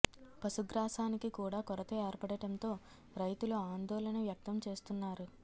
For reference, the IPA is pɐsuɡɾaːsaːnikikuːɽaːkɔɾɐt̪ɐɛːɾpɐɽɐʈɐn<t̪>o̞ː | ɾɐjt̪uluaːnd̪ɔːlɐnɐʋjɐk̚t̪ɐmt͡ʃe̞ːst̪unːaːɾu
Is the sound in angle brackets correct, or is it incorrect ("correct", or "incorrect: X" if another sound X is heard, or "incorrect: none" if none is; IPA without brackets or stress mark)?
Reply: correct